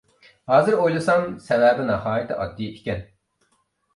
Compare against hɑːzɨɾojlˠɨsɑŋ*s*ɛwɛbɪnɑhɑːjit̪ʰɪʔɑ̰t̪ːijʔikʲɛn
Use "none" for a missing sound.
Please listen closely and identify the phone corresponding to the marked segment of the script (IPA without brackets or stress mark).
s